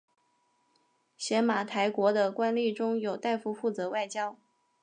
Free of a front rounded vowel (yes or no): yes